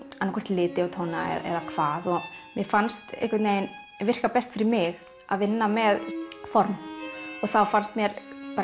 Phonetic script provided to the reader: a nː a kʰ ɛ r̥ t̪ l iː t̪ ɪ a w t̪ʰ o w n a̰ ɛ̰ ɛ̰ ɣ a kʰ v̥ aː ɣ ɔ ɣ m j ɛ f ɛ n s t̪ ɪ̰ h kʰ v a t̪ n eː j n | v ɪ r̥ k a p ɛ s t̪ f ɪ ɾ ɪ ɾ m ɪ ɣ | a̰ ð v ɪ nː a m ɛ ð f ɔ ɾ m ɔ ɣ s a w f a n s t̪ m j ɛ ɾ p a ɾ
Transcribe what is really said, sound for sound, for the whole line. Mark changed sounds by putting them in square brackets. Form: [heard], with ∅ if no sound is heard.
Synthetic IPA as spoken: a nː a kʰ ɛ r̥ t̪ l [ɪː] t̪ ɪ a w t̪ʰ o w n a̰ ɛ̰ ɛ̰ [ð] a kʰ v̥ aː [ð] ɔ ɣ m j ɛ f [a] n s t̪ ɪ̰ h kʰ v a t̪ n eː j n | v ɪ r̥ k a p ɛ s t̪ f ɪ ɾ ɪ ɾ m ɪ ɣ | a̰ ð v ɪ nː a m ɛ ð f ɔ ɾ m ɔ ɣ [θ] a w f a n s t̪ m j ɛ ɾ p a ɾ